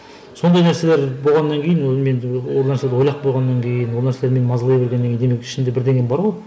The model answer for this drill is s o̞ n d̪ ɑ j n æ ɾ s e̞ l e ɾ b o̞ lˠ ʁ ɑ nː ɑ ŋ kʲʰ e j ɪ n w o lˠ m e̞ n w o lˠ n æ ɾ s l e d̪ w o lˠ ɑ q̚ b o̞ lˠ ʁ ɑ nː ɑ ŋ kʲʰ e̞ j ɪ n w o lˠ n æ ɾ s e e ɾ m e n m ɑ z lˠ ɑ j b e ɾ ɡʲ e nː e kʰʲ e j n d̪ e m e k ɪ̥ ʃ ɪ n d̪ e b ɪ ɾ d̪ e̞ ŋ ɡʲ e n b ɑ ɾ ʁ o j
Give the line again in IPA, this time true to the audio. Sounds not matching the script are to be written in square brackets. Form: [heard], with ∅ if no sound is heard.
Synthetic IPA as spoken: s o̞ n d̪ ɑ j n æ ɾ s e̞ l e ɾ b o̞ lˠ ʁ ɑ nː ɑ ŋ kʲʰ e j ɪ n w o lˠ m e̞ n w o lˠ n æ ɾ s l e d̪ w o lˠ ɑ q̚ b o̞ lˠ ʁ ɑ nː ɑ ŋ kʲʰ e̞ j ɪ n w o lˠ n æ ɾ s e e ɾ m e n m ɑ z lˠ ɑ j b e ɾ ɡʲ e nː e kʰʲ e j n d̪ e m e k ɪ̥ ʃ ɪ n d̪ e b ɪ ɾ d̪ e̞ ŋ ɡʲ e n b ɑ ɾ ʁ o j